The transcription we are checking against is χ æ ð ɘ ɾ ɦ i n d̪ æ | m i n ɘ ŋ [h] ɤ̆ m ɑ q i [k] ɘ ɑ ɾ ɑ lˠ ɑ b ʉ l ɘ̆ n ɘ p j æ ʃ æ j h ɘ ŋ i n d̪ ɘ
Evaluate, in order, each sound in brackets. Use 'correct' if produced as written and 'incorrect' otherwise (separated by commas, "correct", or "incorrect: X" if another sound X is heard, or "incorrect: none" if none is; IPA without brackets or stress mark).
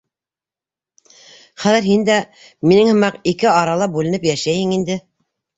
correct, correct